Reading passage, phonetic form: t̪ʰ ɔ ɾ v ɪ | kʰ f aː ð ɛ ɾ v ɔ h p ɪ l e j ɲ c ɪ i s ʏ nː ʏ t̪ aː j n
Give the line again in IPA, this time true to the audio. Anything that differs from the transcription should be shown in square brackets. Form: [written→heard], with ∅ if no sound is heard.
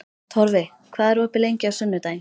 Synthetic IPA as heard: t̪ʰ ɔ ɾ v ɪ | kʰ [f→v] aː ð ɛ ɾ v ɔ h p ɪ l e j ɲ c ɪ [i→a] s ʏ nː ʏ t̪ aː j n